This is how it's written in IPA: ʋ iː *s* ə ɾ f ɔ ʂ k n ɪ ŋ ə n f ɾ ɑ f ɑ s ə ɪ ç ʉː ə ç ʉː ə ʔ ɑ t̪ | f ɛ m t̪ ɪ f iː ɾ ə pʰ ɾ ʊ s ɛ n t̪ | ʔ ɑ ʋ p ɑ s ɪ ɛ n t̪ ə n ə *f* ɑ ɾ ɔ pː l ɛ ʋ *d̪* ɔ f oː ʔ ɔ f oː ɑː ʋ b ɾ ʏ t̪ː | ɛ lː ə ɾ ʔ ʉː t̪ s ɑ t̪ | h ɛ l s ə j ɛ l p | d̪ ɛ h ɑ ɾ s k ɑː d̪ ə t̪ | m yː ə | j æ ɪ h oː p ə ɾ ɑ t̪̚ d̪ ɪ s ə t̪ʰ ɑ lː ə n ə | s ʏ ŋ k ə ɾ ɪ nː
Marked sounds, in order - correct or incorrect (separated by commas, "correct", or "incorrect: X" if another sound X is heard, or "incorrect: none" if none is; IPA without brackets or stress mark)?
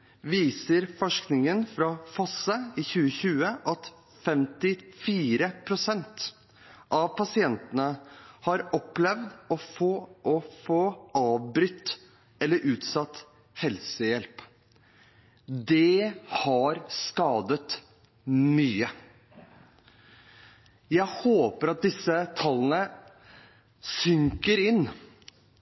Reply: correct, incorrect: h, correct